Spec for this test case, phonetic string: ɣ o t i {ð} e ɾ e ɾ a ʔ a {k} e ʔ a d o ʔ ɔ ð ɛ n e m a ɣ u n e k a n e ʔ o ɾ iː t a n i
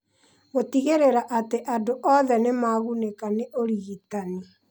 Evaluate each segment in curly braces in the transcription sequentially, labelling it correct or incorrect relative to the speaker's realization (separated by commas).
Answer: incorrect, incorrect